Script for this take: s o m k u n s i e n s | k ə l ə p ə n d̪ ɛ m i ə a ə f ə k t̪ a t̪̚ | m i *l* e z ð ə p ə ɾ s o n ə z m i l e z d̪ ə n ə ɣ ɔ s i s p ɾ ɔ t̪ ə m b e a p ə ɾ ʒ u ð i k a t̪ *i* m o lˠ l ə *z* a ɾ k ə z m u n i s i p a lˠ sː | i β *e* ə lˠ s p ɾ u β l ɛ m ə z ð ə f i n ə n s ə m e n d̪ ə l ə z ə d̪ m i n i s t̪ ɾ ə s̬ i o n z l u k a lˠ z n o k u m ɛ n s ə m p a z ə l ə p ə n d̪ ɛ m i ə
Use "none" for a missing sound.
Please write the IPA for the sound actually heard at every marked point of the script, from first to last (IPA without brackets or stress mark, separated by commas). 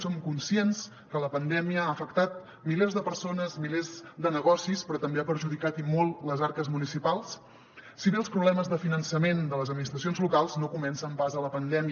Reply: l, i, z, e